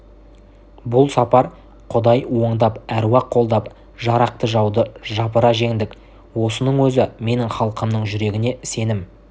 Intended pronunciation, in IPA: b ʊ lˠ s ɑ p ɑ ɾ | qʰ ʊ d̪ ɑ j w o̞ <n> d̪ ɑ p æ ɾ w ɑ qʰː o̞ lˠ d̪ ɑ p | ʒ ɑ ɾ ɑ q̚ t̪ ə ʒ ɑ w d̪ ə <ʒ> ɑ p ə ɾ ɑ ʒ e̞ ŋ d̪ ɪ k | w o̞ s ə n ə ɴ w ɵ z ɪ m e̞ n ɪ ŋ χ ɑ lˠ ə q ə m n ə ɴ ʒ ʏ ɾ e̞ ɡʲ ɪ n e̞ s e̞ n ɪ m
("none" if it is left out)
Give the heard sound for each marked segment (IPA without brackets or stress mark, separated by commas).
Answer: ɴ, ʒ